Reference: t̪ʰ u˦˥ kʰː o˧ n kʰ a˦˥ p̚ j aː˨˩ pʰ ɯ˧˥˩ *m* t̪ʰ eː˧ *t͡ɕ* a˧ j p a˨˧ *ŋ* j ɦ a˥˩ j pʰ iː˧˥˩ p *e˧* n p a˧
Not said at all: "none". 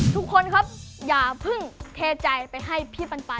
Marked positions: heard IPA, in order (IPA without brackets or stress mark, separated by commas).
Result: ŋ, t͡ɕ, none, a˧